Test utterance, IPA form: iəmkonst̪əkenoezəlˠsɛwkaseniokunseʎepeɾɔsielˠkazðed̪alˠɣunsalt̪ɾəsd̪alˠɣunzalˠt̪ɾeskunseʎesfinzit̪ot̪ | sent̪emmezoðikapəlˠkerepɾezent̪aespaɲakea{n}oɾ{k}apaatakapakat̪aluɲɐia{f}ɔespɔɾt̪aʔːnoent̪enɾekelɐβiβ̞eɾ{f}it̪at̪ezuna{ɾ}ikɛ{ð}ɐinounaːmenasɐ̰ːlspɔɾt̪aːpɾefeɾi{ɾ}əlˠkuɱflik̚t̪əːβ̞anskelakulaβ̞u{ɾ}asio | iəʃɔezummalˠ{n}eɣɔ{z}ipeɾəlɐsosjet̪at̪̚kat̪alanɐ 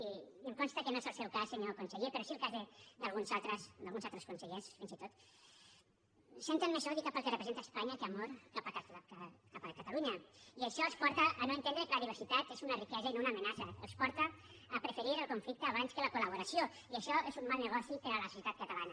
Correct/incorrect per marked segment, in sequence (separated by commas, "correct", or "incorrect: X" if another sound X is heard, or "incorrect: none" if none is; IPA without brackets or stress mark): incorrect: m, correct, incorrect: ʃ, incorrect: s, incorrect: r, incorrect: z, correct, correct, correct, incorrect: s